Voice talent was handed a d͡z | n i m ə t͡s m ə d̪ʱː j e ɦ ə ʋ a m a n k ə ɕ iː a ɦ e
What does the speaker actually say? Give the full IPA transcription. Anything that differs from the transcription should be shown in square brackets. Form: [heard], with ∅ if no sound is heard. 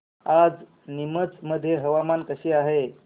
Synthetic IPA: a d͡z | n i m ə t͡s m ə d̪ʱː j e ɦ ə ʋ a m a n k ə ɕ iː a ɦ e